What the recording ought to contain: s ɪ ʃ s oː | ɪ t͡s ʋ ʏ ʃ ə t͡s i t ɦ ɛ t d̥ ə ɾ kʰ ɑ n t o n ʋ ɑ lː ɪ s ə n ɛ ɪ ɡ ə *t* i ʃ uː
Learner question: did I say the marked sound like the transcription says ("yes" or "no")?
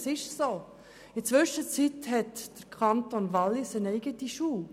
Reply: yes